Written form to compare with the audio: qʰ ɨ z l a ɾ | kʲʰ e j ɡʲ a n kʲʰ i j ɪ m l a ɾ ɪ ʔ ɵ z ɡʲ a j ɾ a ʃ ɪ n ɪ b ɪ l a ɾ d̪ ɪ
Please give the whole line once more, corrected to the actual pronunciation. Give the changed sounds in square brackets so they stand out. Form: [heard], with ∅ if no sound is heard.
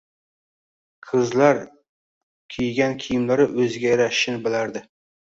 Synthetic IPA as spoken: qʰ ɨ z l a ɾ | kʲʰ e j ɡʲ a n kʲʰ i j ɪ m l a ɾ ɪ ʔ ɵ z ɡʲ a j ɾ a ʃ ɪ n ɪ b ɪ l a ɾ d̪ ɪ

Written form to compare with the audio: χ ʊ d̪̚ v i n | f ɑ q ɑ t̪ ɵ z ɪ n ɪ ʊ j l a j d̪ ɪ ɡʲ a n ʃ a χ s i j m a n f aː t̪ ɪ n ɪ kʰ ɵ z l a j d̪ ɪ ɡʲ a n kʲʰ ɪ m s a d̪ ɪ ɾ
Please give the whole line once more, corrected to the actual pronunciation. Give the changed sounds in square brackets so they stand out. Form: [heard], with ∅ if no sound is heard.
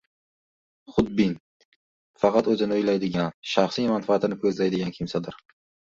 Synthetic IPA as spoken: χ ʊ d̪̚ [b] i n | f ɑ q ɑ t̪ ɵ z ɪ n ɪ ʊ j l a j d̪ ɪ ɡʲ a n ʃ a χ s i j m a n f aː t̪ ɪ n ɪ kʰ ɵ z l a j d̪ ɪ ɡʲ a n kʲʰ ɪ m s a d̪ ɪ ɾ

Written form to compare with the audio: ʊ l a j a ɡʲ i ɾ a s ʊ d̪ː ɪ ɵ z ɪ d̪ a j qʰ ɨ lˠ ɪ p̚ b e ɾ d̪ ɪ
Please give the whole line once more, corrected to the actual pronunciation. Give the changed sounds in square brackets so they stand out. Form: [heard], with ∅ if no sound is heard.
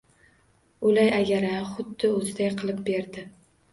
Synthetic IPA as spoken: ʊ l a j a ɡʲ [a] ɾ a [χ] ʊ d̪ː ɪ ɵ z ɪ d̪ a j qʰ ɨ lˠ ɪ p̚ b e ɾ d̪ ɪ

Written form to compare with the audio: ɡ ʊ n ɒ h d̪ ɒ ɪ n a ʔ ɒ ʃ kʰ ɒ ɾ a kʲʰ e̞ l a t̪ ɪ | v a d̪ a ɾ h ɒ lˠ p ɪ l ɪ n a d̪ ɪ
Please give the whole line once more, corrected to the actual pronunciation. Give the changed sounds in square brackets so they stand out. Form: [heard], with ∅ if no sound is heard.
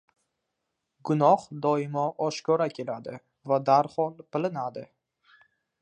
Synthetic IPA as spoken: ɡ ʊ n ɒ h d̪ ɒ ɪ [m] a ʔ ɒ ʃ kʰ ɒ ɾ a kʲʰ e̞ l a [d̪] ɪ | v a d̪ a ɾ h ɒ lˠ p ɪ l ɪ n a d̪ ɪ

